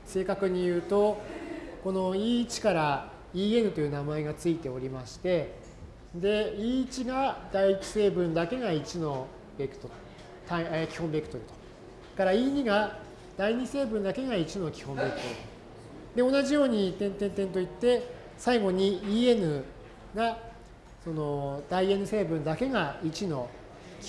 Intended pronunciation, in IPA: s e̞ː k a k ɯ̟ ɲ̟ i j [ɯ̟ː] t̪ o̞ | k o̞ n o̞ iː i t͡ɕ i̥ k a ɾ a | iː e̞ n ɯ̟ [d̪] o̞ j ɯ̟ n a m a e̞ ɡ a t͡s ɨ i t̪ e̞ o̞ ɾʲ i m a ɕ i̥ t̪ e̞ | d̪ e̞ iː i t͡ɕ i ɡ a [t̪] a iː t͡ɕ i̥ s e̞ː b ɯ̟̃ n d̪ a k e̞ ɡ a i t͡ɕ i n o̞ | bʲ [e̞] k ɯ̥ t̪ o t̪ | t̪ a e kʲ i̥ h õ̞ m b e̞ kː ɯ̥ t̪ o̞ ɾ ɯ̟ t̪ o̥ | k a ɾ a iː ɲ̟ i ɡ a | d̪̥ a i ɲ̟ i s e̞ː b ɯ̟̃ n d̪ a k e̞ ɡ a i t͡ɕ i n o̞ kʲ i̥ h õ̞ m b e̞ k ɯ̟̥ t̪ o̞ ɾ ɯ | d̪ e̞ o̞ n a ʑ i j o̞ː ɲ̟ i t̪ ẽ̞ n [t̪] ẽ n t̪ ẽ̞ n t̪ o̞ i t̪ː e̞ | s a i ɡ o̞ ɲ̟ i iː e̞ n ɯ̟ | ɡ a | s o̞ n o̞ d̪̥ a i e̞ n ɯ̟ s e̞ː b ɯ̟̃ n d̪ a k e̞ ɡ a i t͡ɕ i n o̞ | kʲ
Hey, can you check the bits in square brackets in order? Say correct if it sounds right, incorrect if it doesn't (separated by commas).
correct, incorrect, incorrect, correct, correct